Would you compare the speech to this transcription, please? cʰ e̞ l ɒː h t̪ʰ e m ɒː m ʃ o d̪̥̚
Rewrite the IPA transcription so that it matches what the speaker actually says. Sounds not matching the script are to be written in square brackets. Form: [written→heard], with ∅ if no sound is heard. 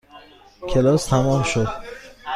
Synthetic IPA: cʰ e̞ l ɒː [h→s] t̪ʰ [e→æ] m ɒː m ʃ o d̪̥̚